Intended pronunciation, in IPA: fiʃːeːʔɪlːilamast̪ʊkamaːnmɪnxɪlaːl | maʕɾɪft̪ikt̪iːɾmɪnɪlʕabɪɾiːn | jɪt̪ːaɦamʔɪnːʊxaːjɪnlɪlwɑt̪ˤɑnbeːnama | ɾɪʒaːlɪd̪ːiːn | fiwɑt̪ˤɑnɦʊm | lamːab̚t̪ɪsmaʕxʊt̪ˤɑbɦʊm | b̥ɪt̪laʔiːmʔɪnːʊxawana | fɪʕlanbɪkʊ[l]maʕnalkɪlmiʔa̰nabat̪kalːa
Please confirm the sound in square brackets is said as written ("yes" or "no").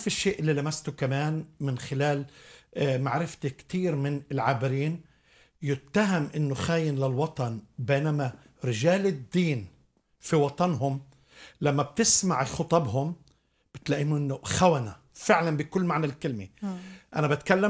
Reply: no